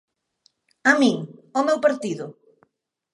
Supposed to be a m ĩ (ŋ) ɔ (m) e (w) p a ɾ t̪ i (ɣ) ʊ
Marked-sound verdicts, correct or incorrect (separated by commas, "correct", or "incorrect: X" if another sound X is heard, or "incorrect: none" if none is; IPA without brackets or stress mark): correct, correct, correct, incorrect: ð